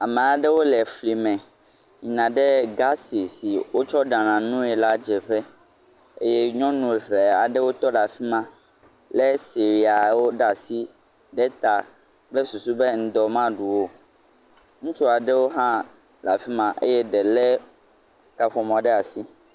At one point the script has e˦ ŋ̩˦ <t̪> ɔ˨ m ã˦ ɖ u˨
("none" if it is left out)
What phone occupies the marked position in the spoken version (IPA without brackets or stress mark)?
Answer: d̪